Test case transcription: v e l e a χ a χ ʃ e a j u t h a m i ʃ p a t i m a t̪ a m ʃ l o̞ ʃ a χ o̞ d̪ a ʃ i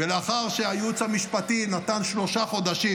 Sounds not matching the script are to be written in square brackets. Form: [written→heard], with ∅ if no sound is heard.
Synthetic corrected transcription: v e l e a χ a [χ→ʁ] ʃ e a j u [t→t͡s] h a m i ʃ p a t i [m→n] a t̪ a [m→n] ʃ l o̞ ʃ a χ o̞ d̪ a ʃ i